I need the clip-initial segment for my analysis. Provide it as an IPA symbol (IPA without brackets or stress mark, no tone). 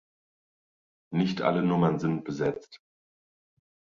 n